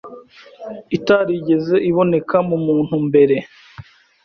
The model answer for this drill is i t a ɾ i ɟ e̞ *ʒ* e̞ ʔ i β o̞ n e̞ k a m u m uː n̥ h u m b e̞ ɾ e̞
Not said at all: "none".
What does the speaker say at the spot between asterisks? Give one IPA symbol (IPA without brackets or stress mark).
z